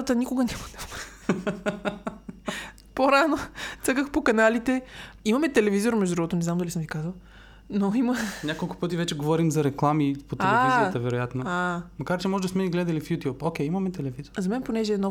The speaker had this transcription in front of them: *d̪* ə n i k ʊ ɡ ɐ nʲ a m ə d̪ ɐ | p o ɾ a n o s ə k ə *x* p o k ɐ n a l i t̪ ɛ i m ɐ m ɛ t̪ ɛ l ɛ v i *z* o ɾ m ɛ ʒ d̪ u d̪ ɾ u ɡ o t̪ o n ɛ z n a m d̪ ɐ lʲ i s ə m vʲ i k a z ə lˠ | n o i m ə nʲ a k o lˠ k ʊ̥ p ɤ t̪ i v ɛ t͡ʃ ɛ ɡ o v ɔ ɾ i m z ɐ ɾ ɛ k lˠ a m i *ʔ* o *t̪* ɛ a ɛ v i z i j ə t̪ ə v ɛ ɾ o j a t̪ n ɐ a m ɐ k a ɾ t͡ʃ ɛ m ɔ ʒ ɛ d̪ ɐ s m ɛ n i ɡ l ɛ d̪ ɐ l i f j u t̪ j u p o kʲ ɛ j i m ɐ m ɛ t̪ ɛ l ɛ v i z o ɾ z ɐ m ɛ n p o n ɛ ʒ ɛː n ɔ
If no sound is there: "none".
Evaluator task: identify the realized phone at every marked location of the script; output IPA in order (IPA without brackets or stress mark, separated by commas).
t̪, x, z, p, t̪